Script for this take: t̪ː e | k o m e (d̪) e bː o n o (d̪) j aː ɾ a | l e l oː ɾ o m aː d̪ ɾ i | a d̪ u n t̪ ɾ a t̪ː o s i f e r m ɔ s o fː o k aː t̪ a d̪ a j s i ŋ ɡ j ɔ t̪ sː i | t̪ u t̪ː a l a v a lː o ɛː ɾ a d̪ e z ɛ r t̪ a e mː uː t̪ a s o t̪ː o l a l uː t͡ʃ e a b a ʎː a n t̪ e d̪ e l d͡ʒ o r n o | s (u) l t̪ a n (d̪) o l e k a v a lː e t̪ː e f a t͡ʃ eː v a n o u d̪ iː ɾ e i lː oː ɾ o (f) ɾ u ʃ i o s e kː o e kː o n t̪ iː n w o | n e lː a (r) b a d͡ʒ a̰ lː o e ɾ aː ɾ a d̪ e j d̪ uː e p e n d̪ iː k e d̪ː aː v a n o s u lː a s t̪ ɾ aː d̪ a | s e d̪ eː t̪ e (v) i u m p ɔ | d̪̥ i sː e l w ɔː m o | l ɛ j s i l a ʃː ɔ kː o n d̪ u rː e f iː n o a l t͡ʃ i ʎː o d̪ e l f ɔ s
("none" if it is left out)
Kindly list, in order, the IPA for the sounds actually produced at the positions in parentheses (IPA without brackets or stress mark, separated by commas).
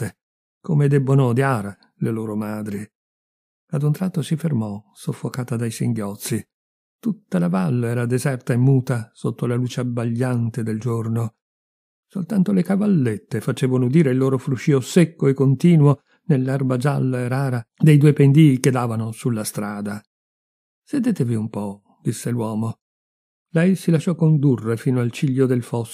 d̪, d̪, o, t̪, f, r, v